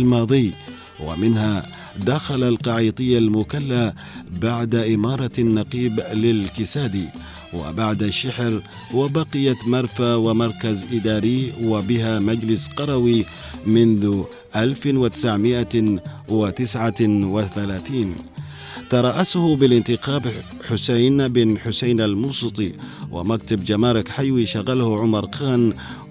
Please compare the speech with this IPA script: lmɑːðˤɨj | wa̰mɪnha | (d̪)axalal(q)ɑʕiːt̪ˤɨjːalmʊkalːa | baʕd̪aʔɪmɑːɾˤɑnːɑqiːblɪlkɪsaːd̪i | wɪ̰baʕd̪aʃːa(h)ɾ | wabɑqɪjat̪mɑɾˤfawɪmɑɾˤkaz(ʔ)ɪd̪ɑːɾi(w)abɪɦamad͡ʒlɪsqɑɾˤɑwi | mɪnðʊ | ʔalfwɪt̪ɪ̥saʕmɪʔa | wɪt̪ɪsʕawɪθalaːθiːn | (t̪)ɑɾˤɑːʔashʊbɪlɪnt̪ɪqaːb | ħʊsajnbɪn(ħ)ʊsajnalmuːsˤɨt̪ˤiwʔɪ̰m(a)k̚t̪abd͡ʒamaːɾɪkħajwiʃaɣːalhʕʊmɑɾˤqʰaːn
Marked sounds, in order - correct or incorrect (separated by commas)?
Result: correct, correct, incorrect, correct, correct, correct, correct, correct